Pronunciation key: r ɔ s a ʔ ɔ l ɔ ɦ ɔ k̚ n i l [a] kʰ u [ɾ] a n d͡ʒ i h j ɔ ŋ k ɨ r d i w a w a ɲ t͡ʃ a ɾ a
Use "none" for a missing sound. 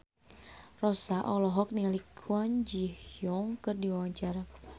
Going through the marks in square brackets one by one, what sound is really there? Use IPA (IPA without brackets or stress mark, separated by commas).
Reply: i, none